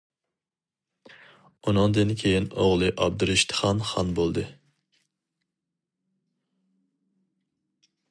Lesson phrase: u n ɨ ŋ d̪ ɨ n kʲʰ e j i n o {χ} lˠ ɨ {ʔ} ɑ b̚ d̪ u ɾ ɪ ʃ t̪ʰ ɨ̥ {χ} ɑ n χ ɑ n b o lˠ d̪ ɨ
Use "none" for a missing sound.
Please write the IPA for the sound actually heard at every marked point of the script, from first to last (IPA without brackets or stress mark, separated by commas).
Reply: ʁ, ʔ, χ